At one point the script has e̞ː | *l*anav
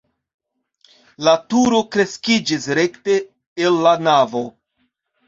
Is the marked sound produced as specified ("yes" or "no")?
no